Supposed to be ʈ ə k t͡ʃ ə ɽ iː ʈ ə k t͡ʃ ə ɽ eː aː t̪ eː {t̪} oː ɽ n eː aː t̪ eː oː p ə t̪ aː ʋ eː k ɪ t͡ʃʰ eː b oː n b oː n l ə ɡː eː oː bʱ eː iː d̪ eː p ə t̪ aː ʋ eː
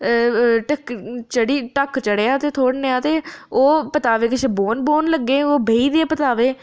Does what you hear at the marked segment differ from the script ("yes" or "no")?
yes